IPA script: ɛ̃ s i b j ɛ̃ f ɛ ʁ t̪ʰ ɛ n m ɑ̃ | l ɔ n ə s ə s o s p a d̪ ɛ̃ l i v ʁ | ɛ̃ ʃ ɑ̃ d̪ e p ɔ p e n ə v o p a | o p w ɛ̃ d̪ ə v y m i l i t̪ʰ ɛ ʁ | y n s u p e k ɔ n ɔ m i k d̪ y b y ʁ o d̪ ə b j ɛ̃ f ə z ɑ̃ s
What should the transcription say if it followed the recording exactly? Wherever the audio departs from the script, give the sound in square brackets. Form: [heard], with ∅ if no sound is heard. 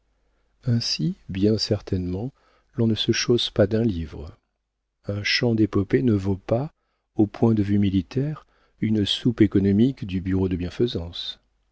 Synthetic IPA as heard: ɛ̃ s i b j ɛ̃ [s] ɛ ʁ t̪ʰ ɛ n m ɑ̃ | l [ɔ̃] n ə s ə [ʃ] o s p a d̪ ɛ̃ l i v ʁ | ɛ̃ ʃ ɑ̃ d̪ e p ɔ p e n ə v o p a | o p w ɛ̃ d̪ ə v y m i l i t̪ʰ ɛ ʁ | y n s u p e k ɔ n ɔ m i k d̪ y b y ʁ o d̪ ə b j ɛ̃ f ə z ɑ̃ s